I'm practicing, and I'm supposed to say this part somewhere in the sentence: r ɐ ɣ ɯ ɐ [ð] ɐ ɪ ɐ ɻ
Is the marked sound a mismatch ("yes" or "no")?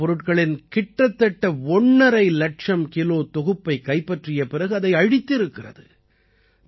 no